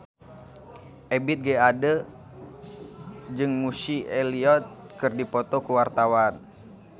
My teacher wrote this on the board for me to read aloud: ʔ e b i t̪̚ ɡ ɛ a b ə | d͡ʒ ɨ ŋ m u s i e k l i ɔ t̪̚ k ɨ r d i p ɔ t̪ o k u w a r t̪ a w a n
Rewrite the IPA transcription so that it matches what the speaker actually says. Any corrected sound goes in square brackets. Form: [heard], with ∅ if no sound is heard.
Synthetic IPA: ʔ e b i t̪̚ ɡ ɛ a [d] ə | d͡ʒ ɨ ŋ m u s i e [∅] l i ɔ t̪̚ k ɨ r d i p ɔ t̪ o k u w a r t̪ a w a n